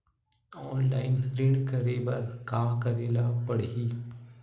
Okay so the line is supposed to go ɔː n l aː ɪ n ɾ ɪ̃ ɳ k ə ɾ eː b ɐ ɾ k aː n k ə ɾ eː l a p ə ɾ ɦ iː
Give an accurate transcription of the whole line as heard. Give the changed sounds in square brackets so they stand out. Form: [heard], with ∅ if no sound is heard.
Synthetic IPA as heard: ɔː n l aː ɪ n ɾ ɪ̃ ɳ k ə ɾ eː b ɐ ɾ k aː [∅] k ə ɾ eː l a p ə [ɽ] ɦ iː